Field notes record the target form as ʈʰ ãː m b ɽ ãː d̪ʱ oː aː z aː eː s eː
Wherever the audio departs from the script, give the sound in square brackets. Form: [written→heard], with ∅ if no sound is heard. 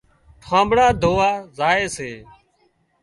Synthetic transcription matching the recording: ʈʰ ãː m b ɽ [ãː→aː] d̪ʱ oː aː z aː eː s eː

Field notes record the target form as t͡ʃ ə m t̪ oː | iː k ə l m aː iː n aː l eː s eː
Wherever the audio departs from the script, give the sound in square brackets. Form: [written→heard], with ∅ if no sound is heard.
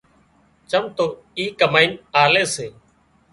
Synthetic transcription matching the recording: t͡ʃ ə m t̪ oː | iː k ə [l→∅] m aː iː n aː l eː s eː

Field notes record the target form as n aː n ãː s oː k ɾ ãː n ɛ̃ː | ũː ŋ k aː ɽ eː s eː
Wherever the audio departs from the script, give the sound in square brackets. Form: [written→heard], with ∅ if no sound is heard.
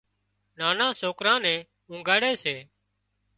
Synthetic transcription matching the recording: n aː n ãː s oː k ɾ ãː n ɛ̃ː | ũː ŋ [k→ɡ] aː ɽ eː s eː

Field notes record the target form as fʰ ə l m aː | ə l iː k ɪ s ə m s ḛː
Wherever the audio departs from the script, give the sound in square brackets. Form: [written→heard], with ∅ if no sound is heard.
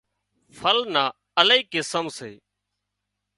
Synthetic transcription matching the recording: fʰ ə l [m→n] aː | ə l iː k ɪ s ə m s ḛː

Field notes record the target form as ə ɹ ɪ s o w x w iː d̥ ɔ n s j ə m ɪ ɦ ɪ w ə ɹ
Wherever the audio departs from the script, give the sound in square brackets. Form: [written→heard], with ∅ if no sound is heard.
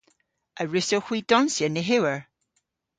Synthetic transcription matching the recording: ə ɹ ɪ s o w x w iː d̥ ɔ n s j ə [m→n] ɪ ɦ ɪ w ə ɹ

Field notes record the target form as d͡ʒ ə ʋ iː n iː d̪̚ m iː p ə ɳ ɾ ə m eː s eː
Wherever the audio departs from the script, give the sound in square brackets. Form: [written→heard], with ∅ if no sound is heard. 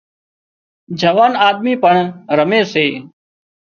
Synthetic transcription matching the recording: d͡ʒ ə ʋ [iː→aː] n [iː→aː] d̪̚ m iː p ə ɳ ɾ ə m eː s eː

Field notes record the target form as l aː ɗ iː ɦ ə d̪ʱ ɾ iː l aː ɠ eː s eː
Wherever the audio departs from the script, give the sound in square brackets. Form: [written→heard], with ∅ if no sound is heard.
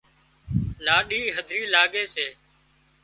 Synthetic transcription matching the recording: l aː ɗ iː ɦ ə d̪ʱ ɾ iː l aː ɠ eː s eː

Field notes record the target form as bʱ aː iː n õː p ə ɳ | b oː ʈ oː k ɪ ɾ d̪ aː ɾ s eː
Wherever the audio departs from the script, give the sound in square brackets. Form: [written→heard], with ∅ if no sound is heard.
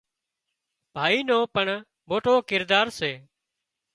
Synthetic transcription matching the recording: bʱ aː iː n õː p ə ɳ | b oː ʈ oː k ɪ ɾ d̪ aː ɾ s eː

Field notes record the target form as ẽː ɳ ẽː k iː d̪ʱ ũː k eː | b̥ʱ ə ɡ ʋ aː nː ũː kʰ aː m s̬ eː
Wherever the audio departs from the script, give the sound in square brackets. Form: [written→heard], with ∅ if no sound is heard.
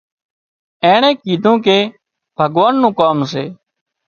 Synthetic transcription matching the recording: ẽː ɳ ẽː k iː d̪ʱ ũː k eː | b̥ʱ ə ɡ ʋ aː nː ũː [kʰ→k] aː m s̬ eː

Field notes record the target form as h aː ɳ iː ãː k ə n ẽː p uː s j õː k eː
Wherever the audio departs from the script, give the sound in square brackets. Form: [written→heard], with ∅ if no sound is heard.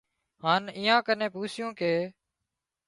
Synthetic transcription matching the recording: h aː [ɳ→n] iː ãː k ə n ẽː p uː s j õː k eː

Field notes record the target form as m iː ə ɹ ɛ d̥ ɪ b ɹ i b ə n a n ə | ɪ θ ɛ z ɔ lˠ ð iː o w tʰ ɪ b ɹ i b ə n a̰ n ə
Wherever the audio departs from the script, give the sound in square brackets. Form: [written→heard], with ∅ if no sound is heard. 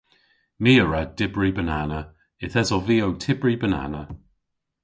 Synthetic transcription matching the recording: m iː ə ɹ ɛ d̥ ɪ b ɹ i b ə n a n ə | ɪ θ ɛ z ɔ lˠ [ð→v] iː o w tʰ ɪ b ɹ i b ə n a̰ n ə

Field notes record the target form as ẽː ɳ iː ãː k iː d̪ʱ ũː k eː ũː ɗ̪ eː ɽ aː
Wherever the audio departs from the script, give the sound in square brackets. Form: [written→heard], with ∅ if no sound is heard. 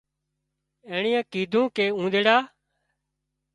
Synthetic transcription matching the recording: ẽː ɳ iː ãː k iː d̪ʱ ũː k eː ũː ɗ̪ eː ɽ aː

